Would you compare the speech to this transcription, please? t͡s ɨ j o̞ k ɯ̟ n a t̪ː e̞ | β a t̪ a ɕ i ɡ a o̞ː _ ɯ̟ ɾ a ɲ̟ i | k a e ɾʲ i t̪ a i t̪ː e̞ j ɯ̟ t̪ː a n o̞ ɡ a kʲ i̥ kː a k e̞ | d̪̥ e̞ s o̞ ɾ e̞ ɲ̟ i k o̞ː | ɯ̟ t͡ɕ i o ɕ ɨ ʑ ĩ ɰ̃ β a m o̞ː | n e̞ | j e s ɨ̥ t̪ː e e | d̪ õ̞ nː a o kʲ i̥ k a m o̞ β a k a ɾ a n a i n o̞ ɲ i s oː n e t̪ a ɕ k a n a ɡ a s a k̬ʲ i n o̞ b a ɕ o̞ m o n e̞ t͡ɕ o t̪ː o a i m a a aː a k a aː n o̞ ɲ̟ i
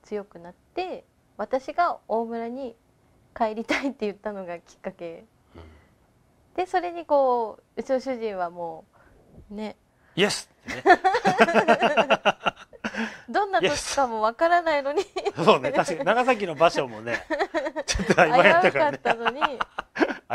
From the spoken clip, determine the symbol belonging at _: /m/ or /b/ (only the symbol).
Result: m